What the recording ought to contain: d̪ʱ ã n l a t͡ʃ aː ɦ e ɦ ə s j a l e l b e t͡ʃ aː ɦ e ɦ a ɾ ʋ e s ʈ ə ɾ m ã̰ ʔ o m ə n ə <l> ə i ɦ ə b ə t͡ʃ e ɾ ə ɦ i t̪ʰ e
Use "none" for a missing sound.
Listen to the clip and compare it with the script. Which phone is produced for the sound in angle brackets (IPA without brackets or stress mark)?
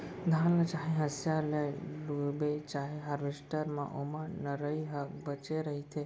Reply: ɾ